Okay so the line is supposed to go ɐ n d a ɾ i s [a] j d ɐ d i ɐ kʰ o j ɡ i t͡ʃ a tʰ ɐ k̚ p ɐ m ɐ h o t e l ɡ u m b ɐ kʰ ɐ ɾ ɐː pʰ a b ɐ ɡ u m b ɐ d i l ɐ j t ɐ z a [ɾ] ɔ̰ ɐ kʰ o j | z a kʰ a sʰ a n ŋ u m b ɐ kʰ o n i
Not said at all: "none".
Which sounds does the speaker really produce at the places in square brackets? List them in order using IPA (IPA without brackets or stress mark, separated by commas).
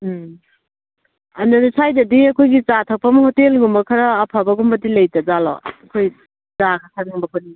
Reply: a, l